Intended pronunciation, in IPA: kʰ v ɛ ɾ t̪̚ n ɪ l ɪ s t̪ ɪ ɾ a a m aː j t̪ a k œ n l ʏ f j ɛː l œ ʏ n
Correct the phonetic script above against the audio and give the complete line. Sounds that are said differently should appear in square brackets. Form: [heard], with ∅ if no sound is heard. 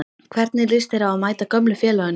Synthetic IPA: kʰ v ɛ ɾ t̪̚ n ɪ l ɪ s t̪ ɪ ɾ a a m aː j t̪ a k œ [m] l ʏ f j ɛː l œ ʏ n